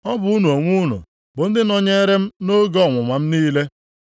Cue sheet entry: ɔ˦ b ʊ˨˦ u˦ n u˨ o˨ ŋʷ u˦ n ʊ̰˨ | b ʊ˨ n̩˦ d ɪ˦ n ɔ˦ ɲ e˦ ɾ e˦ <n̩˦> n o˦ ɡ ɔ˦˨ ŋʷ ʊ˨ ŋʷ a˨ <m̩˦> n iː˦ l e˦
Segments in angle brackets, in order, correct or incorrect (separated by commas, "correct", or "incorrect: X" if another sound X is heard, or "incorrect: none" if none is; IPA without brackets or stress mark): incorrect: m̩˦, correct